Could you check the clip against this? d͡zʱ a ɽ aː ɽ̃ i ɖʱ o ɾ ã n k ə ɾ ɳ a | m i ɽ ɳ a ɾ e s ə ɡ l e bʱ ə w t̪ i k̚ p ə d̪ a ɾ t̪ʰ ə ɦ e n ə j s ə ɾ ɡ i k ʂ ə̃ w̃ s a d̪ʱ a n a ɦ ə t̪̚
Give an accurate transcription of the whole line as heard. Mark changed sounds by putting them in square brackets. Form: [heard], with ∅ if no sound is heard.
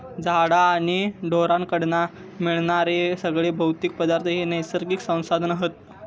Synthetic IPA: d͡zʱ a ɽ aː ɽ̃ i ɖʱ o ɾ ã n k ə [ɽ] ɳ a | m i [ɭ] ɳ a ɾ e s ə ɡ [ɭ] e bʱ ə w t̪ i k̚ p ə d̪ a ɾ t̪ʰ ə ɦ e n ə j s ə ɾ ɡ i k [s] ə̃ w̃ s a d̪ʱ [ə] n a ɦ ə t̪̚